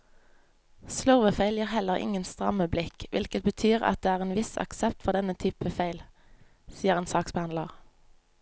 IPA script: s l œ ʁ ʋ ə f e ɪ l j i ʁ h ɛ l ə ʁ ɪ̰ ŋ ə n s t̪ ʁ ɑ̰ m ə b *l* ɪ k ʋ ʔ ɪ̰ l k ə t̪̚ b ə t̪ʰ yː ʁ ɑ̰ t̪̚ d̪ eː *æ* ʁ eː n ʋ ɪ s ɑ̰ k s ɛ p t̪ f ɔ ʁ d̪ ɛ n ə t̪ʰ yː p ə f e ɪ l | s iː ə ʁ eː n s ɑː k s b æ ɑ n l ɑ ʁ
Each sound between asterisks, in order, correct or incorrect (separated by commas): correct, incorrect